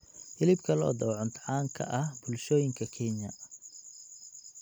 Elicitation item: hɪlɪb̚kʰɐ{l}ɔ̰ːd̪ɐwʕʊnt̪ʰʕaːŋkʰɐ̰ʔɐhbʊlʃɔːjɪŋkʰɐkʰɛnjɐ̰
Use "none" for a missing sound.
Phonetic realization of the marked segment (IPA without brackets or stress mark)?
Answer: l